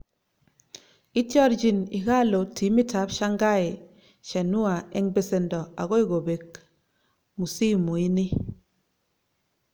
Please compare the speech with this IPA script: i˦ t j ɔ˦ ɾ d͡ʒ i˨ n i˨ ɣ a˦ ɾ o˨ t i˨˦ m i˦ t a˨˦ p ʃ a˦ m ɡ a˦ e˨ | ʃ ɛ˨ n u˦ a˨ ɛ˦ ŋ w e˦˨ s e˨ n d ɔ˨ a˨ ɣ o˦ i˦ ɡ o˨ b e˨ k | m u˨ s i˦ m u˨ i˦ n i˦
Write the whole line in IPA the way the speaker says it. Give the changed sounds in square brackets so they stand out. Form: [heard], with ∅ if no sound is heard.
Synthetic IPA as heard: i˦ t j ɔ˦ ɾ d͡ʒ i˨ n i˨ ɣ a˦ [l] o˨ t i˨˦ m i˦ t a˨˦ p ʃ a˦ [ŋ] ɡ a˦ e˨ | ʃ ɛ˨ n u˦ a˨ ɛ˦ ŋ [b] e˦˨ s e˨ n d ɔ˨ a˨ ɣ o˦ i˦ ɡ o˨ b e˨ k | m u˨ s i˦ m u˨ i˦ n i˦

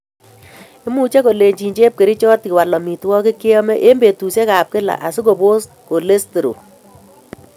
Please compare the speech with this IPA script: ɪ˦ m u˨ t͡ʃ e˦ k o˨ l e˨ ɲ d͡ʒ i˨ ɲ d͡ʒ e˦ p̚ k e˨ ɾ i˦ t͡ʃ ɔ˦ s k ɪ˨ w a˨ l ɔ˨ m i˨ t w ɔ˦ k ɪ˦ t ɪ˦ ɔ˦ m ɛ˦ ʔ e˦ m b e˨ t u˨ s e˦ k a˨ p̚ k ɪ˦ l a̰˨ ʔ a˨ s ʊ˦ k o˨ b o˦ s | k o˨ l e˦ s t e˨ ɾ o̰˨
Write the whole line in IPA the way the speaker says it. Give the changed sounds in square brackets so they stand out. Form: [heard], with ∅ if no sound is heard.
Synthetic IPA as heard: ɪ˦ m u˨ t͡ʃ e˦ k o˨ l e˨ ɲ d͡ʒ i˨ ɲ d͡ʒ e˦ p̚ k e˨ ɾ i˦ t͡ʃ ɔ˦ [t] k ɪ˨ w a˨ l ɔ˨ m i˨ t w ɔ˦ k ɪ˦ [k] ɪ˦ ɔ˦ m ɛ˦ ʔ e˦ m b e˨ t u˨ s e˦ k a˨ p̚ k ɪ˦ l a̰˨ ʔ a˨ s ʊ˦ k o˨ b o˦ s | k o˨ l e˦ s t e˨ ɾ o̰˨

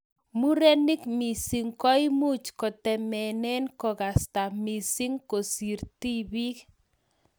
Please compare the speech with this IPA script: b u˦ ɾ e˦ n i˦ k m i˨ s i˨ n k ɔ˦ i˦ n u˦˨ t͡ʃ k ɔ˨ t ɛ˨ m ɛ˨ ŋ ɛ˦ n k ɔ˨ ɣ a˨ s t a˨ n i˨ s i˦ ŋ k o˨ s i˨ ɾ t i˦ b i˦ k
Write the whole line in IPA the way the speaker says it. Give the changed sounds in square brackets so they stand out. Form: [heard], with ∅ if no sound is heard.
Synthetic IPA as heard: [m] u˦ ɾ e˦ n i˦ k m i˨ s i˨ [ŋ] k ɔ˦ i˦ [m] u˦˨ t͡ʃ k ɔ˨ t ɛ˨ m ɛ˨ [n] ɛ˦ n k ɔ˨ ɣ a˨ s t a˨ [m] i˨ s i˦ ŋ k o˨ s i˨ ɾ t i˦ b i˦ k

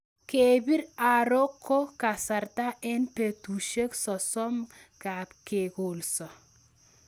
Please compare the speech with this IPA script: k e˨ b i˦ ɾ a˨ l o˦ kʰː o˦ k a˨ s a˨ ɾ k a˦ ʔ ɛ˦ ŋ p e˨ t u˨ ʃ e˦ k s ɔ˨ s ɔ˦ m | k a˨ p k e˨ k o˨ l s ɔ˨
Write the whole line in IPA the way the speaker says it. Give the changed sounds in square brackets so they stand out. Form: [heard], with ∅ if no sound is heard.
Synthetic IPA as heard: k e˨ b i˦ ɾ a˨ [ɾ] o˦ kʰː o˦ k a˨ s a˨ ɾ [t] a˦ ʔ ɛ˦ [n] p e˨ t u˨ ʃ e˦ k s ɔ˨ s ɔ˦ m | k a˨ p k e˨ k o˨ l s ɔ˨

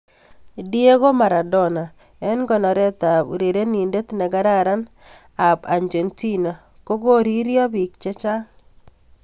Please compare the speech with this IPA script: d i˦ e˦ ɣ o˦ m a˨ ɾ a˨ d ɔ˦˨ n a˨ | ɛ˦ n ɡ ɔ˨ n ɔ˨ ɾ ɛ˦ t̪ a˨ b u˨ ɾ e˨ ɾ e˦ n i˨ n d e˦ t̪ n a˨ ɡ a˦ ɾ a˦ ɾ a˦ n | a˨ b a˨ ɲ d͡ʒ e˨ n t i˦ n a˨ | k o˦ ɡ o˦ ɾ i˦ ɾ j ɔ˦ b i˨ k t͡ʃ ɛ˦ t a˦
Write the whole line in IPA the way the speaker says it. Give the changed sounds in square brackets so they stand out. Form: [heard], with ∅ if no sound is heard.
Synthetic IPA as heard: d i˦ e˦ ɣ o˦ m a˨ ɾ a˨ d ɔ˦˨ n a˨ | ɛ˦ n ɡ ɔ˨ n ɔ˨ ɾ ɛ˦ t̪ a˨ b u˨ ɾ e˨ ɾ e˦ n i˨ n d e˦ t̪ n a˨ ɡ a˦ ɾ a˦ ɾ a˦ n | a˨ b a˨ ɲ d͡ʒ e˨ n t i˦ n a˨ | k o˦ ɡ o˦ ɾ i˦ ɾ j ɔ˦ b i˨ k t͡ʃ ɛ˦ [t͡ʃ] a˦

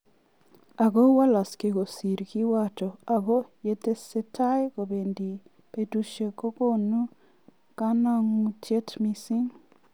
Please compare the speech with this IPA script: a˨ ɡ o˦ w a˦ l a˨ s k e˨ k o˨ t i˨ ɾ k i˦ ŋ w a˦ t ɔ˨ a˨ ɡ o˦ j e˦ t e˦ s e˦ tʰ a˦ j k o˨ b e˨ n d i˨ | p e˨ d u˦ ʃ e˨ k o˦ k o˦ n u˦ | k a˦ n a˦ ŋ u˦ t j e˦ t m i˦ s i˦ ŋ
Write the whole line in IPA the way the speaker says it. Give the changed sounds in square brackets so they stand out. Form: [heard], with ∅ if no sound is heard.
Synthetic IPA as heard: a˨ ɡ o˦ w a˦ l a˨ s k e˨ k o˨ [s] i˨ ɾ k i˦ [∅] w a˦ t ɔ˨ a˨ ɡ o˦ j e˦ t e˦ s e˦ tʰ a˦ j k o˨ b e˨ n d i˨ | p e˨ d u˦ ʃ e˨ k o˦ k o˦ n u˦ | k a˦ n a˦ ŋ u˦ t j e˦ t m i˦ s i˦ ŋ

